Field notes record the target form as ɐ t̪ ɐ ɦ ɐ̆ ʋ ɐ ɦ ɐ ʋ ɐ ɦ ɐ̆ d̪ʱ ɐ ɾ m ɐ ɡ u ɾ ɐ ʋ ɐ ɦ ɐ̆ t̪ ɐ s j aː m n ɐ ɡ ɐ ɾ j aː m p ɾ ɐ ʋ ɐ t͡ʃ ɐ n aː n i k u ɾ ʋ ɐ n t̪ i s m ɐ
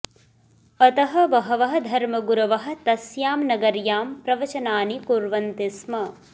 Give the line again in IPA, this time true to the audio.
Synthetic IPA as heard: ɐ t̪ ɐ ɦ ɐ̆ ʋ ɐ ɦ ɐ ʋ ɐ ɦ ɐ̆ d̪ʱ ɐ ɾ m ɐ ɡ u ɾ ɐ ʋ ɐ ɦ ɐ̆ t̪ ɐ s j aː m n ɐ ɡ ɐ ɾ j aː m p ɾ ɐ ʋ ɐ t͡ʃ ɐ n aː n i k u ɾ ʋ ɐ n t̪ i s m ɐ